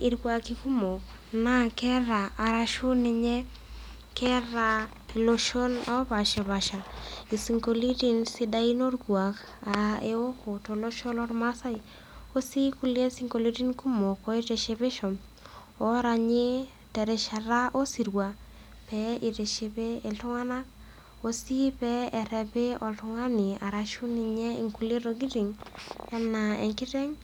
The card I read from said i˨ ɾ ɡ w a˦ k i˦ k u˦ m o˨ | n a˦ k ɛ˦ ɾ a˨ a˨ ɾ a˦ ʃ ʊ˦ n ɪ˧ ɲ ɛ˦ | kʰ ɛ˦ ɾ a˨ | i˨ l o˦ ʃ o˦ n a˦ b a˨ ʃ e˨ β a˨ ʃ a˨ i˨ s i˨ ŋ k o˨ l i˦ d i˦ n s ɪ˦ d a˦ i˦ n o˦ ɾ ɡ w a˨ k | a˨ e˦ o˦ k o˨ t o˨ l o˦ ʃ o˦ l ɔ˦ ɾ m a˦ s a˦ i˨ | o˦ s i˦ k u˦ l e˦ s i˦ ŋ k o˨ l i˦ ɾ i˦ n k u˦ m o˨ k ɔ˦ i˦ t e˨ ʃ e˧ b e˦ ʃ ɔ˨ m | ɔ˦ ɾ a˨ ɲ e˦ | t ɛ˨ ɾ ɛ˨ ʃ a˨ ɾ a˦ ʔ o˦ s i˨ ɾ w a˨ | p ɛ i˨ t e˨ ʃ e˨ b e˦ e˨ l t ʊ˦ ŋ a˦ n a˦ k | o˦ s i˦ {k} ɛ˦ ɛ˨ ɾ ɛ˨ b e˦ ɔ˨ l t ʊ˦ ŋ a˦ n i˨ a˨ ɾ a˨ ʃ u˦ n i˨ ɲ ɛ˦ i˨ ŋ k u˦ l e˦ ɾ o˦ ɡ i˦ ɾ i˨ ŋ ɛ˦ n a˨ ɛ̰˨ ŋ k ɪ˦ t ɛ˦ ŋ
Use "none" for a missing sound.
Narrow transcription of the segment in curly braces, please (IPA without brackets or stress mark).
p